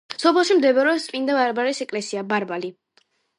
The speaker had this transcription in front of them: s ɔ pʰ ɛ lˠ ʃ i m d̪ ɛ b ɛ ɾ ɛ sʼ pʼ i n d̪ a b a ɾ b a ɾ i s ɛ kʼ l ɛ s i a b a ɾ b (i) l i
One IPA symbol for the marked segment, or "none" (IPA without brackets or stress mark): a